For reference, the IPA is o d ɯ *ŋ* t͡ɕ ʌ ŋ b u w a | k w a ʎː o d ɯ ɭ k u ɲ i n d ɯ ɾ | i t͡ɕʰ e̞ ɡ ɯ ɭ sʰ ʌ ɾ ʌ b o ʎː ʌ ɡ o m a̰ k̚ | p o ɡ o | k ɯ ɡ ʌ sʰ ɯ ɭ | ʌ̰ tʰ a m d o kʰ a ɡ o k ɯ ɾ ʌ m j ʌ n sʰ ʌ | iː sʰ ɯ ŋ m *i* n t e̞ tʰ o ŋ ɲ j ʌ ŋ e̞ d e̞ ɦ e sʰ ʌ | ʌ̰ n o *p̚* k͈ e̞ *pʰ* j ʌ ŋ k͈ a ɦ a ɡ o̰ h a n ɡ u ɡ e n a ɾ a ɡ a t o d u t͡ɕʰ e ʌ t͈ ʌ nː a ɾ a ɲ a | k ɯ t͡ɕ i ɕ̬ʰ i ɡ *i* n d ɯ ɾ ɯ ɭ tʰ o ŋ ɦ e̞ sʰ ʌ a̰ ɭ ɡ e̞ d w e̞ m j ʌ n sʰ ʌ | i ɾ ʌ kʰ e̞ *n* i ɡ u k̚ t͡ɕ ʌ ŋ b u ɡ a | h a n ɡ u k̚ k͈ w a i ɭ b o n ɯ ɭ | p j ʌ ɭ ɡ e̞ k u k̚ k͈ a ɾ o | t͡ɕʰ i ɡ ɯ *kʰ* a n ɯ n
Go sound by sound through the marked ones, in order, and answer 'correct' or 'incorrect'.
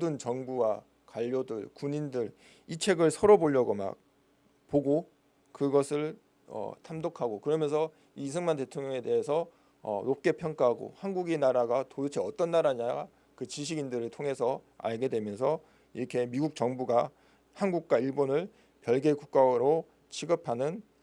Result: incorrect, incorrect, correct, correct, correct, incorrect, incorrect

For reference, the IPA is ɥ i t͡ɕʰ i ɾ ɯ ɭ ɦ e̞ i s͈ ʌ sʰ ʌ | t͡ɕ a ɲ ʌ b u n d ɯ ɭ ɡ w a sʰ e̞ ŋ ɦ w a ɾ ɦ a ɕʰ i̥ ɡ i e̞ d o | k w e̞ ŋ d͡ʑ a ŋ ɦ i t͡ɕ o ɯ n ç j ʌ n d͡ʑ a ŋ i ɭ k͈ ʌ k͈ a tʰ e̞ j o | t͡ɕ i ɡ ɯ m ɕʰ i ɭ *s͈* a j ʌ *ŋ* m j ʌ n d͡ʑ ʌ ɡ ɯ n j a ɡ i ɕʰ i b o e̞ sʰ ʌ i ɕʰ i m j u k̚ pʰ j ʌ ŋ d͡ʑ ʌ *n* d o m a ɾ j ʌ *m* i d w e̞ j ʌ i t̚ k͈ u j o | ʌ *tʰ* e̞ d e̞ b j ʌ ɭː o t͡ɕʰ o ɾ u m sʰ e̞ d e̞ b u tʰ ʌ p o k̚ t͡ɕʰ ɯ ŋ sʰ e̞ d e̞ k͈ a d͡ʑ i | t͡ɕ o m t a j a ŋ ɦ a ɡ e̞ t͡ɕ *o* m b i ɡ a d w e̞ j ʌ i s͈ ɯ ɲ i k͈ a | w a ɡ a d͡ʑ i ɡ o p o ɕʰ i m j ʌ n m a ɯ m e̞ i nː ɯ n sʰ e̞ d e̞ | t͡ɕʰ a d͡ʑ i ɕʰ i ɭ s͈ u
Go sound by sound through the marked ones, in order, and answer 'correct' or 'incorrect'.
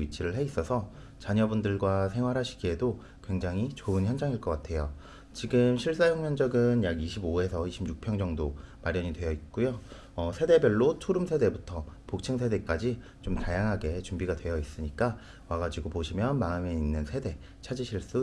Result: correct, correct, incorrect, incorrect, incorrect, incorrect

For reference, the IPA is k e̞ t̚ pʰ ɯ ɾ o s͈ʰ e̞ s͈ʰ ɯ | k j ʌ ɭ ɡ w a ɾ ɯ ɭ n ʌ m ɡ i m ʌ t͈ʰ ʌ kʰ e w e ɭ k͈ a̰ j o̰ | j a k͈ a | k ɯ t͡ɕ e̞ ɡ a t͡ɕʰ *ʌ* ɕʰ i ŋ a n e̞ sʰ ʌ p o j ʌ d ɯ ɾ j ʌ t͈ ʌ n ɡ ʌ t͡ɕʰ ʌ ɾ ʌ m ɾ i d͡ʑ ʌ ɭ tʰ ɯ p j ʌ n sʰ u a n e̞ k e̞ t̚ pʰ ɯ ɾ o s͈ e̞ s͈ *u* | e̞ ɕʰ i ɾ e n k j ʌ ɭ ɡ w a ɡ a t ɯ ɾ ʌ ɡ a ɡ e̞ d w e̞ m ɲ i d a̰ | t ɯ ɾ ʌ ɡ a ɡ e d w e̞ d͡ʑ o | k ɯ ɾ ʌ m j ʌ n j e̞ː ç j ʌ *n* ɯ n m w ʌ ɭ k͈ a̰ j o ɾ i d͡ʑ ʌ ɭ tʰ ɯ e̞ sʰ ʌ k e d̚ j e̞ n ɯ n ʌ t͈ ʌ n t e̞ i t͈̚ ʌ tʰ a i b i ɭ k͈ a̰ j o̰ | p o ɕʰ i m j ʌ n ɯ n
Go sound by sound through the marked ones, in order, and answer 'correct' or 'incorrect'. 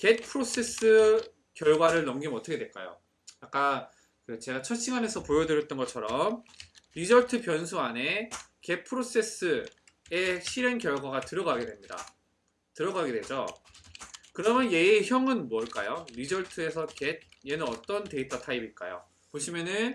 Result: correct, incorrect, incorrect

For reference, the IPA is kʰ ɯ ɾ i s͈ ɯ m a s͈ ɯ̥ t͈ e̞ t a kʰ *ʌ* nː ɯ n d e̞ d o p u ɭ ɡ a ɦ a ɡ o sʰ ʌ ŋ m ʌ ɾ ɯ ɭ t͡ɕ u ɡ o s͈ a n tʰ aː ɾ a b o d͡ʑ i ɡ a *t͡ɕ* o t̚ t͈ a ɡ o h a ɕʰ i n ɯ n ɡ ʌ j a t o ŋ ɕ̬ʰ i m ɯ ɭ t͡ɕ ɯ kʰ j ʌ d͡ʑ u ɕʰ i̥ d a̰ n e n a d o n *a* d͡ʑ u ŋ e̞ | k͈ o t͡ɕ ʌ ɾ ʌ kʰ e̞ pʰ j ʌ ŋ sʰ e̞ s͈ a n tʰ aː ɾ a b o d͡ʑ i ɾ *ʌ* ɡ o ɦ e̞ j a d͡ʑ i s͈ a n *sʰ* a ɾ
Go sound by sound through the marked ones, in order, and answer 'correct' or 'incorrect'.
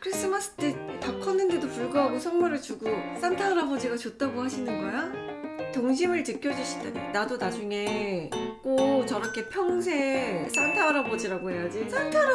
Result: correct, correct, correct, incorrect, incorrect

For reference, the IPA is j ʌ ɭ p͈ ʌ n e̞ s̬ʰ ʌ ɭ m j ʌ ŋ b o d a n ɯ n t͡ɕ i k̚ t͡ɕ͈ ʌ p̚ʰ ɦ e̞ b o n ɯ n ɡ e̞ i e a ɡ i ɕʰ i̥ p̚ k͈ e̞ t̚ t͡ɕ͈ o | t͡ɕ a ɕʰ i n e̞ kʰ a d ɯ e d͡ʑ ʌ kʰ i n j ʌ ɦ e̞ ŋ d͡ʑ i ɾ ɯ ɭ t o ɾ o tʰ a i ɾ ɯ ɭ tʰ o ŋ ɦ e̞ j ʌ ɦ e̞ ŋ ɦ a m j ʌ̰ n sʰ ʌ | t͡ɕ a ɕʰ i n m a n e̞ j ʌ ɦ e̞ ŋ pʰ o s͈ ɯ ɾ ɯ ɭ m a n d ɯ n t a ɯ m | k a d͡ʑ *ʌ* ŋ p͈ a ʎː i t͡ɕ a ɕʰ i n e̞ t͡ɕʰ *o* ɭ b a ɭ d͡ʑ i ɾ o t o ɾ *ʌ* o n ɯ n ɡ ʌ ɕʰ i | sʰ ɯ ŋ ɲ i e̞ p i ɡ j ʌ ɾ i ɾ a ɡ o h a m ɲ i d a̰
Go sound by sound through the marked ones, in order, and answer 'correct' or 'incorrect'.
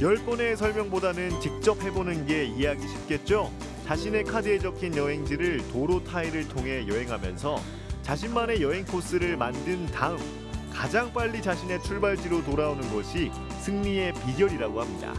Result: incorrect, incorrect, incorrect

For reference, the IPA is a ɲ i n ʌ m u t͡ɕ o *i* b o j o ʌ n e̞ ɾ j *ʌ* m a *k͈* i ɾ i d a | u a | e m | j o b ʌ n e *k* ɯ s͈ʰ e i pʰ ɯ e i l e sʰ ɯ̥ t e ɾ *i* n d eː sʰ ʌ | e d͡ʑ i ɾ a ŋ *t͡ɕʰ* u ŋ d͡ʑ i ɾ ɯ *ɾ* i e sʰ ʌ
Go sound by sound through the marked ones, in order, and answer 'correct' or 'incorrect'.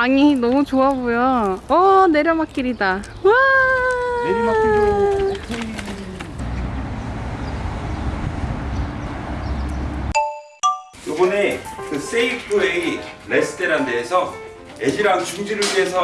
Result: incorrect, correct, correct, correct, incorrect, incorrect, incorrect

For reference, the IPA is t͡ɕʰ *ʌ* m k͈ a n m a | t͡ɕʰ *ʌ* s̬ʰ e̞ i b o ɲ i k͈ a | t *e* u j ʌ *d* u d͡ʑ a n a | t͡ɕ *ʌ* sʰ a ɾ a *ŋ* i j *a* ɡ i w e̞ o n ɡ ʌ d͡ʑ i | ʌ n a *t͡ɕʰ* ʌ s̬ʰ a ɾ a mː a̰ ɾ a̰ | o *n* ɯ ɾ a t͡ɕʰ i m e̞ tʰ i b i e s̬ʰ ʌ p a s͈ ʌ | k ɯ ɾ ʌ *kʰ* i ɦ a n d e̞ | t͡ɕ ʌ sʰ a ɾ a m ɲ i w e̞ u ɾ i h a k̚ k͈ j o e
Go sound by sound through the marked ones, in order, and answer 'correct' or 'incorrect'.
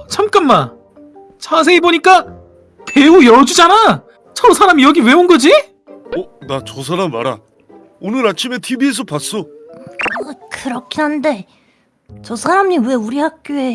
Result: incorrect, incorrect, correct, incorrect, correct, incorrect, incorrect, incorrect, correct, correct

